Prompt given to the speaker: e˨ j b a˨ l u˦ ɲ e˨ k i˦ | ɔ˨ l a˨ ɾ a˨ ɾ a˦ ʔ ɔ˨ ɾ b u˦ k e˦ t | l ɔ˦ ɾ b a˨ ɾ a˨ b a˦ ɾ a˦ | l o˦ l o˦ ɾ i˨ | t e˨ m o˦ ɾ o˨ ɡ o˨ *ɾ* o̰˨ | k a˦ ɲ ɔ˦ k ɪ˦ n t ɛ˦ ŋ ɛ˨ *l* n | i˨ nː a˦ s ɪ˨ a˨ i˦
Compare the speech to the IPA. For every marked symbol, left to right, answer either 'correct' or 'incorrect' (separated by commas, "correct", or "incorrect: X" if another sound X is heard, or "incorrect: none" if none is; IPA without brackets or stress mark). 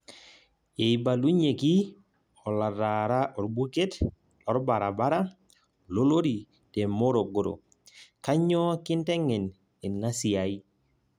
correct, incorrect: none